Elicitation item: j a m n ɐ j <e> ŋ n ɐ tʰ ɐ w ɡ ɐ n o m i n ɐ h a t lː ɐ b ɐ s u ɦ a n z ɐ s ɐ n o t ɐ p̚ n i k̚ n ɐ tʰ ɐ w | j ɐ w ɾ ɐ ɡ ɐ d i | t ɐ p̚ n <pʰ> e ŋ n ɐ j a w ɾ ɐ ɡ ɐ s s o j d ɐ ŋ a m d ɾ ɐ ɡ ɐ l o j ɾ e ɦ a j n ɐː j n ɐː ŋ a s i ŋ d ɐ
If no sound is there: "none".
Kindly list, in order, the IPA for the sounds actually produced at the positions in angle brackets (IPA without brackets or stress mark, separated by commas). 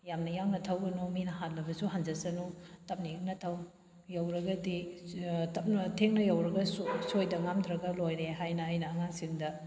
a, tʰ